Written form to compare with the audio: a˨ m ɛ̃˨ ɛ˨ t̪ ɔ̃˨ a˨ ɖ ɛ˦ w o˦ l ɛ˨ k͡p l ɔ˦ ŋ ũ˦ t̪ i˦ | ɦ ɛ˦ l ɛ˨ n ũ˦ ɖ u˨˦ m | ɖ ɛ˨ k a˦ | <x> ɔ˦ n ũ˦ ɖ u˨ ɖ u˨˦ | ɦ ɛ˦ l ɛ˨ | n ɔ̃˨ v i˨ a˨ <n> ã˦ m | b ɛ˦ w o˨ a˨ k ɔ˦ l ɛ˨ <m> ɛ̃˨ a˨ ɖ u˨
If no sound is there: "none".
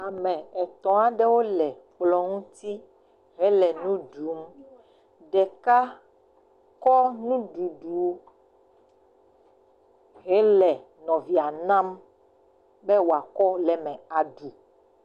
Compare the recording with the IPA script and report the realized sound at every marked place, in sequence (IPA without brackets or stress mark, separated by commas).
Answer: k, n, m